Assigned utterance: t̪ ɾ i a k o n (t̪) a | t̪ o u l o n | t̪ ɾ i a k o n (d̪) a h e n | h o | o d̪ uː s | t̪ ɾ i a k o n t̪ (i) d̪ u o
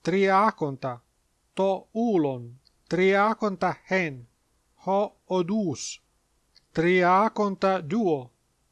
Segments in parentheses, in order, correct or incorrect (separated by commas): correct, incorrect, incorrect